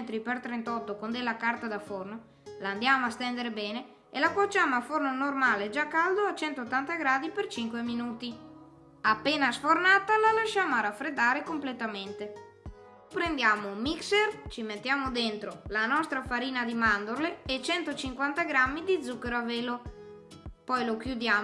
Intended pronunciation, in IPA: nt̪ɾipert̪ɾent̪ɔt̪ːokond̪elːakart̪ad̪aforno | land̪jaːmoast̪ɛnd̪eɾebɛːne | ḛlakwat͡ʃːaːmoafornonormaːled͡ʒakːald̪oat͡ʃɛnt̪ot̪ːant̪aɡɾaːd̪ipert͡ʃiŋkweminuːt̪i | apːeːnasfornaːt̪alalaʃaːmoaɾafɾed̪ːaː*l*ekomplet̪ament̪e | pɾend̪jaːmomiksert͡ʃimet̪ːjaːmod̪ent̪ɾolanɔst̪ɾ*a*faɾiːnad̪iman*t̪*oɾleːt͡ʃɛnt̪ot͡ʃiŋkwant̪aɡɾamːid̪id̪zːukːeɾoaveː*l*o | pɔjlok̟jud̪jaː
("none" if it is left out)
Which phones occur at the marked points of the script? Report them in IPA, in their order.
ɾ, a, d̪, l

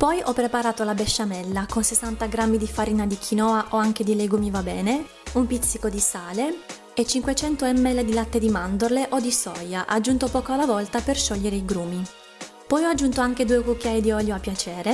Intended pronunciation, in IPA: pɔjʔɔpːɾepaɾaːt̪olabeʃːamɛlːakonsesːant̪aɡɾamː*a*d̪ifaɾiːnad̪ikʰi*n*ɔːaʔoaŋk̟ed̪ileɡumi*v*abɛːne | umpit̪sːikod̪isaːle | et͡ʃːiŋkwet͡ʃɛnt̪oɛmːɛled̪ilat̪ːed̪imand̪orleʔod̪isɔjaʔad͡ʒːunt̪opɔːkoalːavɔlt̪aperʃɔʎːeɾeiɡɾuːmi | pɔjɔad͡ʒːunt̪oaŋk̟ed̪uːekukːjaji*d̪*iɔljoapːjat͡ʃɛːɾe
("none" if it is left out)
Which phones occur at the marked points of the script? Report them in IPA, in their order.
i, n, v, d̪

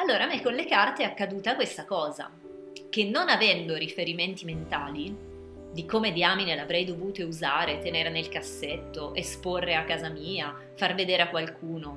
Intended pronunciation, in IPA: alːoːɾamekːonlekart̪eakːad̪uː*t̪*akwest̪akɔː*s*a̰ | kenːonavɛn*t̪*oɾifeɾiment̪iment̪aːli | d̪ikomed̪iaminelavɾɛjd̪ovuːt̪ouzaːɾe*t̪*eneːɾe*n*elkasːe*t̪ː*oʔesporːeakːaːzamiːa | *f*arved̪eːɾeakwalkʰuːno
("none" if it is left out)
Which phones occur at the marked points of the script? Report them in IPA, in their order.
t̪, z, d̪, t̪, n, t̪ː, f

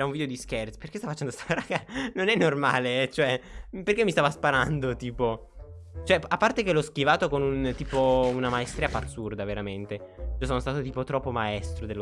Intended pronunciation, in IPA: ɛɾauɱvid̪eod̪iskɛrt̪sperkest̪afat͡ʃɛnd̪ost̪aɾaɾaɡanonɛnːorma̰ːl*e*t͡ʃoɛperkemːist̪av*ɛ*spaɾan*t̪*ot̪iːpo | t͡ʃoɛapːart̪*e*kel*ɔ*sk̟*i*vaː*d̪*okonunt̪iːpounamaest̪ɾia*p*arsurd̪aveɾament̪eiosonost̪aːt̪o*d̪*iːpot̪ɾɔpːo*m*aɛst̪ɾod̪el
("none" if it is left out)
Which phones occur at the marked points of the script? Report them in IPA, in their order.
e, a, d̪, e, ɔ, i, t̪, p, t̪, m

